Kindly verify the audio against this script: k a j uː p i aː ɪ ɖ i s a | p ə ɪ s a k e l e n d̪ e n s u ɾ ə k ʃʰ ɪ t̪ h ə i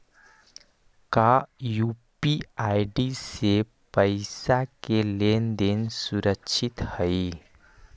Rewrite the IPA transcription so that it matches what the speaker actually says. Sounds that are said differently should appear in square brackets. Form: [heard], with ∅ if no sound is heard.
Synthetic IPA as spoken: k a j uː p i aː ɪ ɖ i s [e] | p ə ɪ s a k e l e n d̪ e n s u ɾ ə k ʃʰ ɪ t̪ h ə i